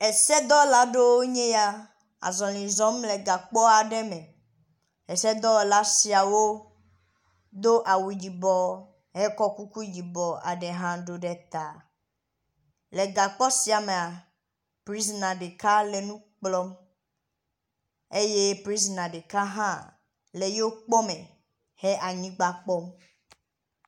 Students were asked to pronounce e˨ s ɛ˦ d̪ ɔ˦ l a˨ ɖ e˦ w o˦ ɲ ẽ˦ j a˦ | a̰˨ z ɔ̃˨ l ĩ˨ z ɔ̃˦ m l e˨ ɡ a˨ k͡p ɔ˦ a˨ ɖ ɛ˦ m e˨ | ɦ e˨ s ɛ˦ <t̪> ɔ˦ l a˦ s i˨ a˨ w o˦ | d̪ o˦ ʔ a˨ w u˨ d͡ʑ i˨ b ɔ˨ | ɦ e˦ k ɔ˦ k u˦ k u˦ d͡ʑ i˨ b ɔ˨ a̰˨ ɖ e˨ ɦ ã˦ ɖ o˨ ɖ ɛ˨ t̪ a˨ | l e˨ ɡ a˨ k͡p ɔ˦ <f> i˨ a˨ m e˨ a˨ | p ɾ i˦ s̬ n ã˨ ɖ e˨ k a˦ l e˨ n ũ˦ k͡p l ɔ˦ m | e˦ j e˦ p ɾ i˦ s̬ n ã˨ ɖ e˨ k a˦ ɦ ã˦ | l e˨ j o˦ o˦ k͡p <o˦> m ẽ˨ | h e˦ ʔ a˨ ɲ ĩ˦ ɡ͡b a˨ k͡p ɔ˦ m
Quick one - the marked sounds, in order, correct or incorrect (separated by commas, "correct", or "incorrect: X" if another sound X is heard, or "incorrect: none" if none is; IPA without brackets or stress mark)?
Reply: incorrect: d̪, incorrect: s, incorrect: ɔ˦